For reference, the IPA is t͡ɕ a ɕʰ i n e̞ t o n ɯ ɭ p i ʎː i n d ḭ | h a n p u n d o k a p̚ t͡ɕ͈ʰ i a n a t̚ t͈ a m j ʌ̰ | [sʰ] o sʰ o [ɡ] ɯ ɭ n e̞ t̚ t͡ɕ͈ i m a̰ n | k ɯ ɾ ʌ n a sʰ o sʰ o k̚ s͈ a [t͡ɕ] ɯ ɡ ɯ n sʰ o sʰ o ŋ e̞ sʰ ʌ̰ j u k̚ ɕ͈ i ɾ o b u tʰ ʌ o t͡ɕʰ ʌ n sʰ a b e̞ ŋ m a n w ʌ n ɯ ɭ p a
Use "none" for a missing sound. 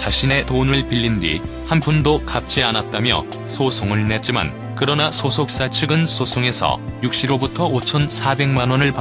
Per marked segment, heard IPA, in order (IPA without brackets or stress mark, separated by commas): sʰ, ŋ, t͡ɕʰ